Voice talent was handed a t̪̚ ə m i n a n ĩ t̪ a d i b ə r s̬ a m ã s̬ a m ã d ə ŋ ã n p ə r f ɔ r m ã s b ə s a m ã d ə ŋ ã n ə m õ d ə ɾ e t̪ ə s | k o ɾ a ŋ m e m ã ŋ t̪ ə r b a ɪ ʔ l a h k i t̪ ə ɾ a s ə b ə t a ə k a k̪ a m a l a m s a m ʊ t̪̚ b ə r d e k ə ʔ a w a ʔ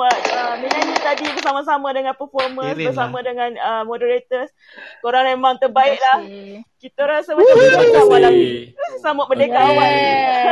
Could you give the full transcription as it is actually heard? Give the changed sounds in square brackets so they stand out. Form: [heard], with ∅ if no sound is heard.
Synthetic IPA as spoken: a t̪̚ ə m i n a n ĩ t̪ a d i b ə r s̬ a m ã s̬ a m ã d ə ŋ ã n p ə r f ɔ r m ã s b ə s a m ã d ə ŋ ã n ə m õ d ə ɾ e t̪ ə s | k o ɾ a ŋ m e m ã ŋ t̪ ə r b a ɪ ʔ l a h k i t̪ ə ɾ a s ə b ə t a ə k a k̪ a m a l a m s a m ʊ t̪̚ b ə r d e k [a] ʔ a w a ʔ